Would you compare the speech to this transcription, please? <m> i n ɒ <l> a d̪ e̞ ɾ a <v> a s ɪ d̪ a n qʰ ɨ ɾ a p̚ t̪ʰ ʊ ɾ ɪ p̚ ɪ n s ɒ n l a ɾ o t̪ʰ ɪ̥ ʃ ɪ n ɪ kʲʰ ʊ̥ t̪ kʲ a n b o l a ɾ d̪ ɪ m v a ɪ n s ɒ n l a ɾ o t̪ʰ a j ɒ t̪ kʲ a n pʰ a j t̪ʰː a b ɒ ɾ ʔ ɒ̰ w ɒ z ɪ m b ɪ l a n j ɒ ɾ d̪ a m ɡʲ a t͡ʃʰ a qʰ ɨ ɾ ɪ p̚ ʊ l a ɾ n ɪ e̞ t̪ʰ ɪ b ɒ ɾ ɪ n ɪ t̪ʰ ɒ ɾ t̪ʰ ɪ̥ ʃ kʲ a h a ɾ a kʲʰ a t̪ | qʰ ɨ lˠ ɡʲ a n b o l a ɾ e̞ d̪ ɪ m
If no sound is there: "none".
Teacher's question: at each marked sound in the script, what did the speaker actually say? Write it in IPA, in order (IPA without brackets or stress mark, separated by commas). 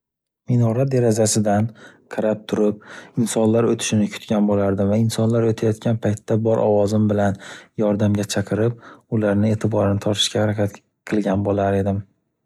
m, ɾ, z